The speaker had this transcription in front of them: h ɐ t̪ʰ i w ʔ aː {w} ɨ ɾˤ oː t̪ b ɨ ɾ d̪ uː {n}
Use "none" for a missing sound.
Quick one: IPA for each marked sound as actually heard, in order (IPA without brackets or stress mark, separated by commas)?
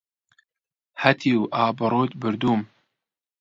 b, m